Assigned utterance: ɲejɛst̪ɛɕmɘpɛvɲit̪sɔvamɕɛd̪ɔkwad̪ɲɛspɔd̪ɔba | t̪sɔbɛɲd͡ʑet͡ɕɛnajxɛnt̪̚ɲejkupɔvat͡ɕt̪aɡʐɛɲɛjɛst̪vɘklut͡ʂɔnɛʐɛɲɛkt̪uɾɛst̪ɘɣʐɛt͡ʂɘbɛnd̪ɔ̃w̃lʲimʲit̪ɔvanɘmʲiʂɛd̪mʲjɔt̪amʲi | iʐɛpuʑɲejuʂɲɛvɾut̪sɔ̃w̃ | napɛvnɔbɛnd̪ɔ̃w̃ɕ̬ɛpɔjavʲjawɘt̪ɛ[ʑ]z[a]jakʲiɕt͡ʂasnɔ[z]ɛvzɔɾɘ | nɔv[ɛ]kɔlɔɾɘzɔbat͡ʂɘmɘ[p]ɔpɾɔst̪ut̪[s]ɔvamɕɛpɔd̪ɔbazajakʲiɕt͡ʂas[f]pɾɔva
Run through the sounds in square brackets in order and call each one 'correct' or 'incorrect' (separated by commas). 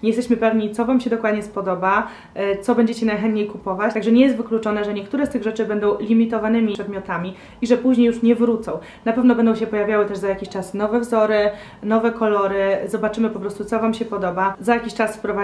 incorrect, correct, incorrect, correct, correct, correct, correct